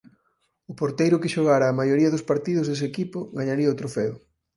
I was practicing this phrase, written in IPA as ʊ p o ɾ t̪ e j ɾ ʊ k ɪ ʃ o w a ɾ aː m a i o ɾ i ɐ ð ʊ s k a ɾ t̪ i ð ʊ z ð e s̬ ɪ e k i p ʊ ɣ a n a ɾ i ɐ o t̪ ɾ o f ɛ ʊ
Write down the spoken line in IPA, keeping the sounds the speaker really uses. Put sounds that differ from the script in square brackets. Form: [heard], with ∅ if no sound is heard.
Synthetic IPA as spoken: ʊ p o ɾ t̪ e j ɾ ʊ k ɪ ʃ o [ɣ] a ɾ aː m a [j] o ɾ i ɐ ð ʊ s [p] a ɾ t̪ i ð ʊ z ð e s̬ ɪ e k i p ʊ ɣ a [ɲ] a ɾ i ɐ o t̪ ɾ o f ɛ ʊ